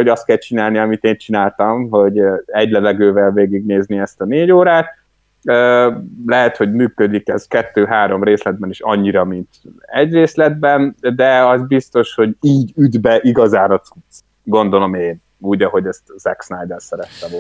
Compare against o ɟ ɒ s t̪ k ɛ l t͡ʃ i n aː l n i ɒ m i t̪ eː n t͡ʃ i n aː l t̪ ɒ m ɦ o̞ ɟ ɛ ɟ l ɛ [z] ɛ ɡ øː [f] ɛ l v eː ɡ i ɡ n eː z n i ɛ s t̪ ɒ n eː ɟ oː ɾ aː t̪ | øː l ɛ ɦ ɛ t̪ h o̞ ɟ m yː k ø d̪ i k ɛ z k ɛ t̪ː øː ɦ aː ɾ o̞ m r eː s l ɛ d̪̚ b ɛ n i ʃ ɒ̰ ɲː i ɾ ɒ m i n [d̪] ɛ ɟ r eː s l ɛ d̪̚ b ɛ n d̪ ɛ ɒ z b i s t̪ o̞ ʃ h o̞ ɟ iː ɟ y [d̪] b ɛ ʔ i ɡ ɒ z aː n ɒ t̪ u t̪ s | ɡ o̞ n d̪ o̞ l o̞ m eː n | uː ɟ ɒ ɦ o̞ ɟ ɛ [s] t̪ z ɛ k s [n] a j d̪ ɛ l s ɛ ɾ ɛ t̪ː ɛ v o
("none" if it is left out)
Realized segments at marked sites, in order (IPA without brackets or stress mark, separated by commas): v, v, t̪, d̪, s, n